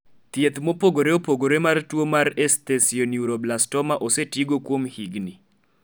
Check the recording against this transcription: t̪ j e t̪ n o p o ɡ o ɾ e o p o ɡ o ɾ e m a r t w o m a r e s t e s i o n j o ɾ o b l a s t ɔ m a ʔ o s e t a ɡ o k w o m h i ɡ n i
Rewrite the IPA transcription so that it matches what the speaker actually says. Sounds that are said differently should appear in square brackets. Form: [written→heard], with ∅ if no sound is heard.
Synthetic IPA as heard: t̪ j e t̪ [n→m] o p o ɡ o ɾ e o p o ɡ o ɾ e m a r t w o m a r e s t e s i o n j [o→u] ɾ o b l a s t ɔ m a ʔ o s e t [a→i] ɡ o k w o m h i ɡ n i